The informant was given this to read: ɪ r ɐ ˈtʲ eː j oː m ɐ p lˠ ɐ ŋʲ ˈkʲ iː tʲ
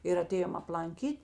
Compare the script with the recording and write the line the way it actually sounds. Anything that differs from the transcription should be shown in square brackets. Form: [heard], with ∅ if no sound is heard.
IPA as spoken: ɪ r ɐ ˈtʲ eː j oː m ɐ p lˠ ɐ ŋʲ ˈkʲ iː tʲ